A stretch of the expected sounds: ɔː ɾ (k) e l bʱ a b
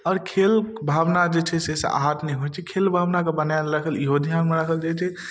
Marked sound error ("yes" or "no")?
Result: yes